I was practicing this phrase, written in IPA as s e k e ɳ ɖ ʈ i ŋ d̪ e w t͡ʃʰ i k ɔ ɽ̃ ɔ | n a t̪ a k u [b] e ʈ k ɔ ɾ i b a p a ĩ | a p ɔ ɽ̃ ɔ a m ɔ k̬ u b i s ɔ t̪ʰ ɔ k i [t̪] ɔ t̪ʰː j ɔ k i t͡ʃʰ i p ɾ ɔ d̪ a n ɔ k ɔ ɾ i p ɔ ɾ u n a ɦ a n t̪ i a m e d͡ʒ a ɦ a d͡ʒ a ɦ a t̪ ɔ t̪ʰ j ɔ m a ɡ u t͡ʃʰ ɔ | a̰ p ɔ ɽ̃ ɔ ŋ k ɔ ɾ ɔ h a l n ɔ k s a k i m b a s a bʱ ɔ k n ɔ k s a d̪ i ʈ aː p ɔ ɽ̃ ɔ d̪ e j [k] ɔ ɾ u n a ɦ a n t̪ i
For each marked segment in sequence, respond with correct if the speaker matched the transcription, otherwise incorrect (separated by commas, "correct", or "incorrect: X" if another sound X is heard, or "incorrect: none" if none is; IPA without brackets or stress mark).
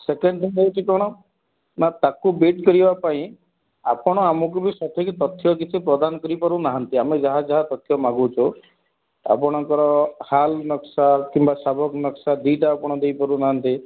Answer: correct, correct, incorrect: p